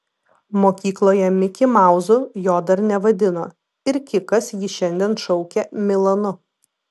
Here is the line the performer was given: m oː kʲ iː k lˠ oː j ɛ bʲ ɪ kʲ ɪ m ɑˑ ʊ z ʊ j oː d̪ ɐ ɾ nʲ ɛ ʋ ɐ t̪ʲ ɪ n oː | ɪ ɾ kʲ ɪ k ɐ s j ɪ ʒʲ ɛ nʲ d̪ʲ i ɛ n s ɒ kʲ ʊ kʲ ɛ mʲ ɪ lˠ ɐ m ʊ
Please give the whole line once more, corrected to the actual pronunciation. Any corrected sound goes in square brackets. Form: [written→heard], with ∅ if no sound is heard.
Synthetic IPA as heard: m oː kʲ iː k lˠ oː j ɛ [bʲ→mʲ] ɪ kʲ ɪ m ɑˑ ʊ z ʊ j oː d̪ ɐ ɾ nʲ ɛ ʋ ɐ [t̪ʲ→d̪ʲ] ɪ n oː | ɪ ɾ kʲ ɪ k ɐ s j ɪ [ʒʲ→ʃʲ] ɛ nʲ d̪ʲ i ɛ n [s→ʃ] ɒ [kʲ→∅] ʊ kʲ ɛ mʲ ɪ lˠ ɐ [m→n] ʊ